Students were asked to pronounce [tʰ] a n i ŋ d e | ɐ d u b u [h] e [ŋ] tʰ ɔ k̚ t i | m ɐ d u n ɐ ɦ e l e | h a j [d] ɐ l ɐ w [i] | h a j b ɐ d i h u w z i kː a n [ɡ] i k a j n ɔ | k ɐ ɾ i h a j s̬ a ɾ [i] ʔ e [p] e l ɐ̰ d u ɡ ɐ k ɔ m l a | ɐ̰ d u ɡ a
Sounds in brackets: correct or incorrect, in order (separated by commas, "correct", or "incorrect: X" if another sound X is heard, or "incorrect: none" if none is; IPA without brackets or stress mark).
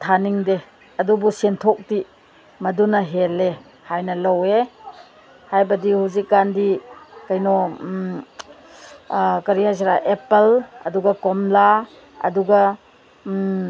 correct, incorrect: s, incorrect: n, incorrect: n, incorrect: e, incorrect: d, incorrect: a, correct